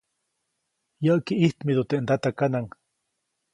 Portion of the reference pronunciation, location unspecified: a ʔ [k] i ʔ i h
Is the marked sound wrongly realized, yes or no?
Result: no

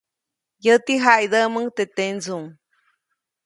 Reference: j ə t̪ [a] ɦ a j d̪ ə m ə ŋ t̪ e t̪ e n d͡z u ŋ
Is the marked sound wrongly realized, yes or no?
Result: yes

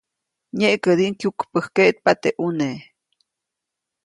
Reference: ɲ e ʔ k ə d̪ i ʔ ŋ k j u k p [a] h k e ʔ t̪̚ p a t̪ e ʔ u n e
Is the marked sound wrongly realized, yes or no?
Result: yes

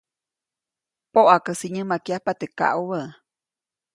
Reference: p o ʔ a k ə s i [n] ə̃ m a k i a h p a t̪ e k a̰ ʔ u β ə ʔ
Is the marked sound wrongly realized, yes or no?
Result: yes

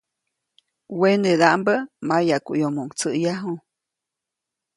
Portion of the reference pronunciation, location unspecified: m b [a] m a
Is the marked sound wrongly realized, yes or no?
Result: yes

